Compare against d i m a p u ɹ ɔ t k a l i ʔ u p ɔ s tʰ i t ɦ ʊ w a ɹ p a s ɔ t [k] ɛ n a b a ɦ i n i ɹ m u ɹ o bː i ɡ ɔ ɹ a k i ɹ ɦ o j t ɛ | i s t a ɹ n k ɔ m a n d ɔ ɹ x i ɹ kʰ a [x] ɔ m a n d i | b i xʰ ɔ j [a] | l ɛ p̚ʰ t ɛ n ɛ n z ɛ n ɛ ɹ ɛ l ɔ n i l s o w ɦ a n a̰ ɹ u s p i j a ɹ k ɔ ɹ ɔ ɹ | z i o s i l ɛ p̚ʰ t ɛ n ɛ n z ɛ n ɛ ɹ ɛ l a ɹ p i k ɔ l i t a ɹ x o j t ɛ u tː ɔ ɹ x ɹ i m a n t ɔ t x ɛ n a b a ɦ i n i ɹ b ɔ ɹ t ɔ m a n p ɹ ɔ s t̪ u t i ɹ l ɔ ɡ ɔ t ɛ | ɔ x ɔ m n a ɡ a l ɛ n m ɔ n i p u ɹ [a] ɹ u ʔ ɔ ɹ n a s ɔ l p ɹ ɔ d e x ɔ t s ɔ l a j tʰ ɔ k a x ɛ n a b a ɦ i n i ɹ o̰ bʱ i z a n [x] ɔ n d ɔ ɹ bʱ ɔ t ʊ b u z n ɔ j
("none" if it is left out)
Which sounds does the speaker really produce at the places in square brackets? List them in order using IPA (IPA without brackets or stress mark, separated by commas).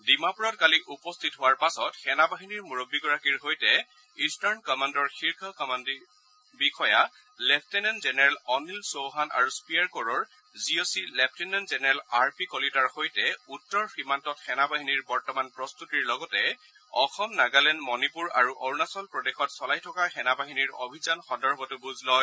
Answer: x, k, a, a, x